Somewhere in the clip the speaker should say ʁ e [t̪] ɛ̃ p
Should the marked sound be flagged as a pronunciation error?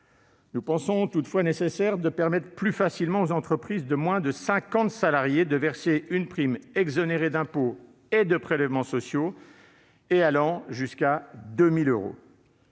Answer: yes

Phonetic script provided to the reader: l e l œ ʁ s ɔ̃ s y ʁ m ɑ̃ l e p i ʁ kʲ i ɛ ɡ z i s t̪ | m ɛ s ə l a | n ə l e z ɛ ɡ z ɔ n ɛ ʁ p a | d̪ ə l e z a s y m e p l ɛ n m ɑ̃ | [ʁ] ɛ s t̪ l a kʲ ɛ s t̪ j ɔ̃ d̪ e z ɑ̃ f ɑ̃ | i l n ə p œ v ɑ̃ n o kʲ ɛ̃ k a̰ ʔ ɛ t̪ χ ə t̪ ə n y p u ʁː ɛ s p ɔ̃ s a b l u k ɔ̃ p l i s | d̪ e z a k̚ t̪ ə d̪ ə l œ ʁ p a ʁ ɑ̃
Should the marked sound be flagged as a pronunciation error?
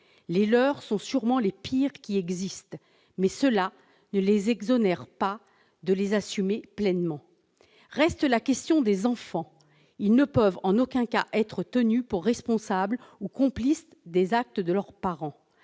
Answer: no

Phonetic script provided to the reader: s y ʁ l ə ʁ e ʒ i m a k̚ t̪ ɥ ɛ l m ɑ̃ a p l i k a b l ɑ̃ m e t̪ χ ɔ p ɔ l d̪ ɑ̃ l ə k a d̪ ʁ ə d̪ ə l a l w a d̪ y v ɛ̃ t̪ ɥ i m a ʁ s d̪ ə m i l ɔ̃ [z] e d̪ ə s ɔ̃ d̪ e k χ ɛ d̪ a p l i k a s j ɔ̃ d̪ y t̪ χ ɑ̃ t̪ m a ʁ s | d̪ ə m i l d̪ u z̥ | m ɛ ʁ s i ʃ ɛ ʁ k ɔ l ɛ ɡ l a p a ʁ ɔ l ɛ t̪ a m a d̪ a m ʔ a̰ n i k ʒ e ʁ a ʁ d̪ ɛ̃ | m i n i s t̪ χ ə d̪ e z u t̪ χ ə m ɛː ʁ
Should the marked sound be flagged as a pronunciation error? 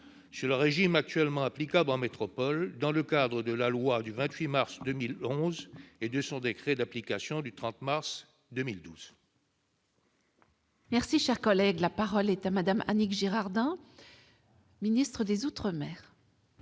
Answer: no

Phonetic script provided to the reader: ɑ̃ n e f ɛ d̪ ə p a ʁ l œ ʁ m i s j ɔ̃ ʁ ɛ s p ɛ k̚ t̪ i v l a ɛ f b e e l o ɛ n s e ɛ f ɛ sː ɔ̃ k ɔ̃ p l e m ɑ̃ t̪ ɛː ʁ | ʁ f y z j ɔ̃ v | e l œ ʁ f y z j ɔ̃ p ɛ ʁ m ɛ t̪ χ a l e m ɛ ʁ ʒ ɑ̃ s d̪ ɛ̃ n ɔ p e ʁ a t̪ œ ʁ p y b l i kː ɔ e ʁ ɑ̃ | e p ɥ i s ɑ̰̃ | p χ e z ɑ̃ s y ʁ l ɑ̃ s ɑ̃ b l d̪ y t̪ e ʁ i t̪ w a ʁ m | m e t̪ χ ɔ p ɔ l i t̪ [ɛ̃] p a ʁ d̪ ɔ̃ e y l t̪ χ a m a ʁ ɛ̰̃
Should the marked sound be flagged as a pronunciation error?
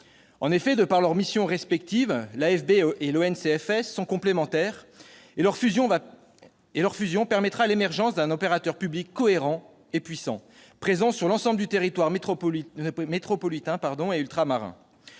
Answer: no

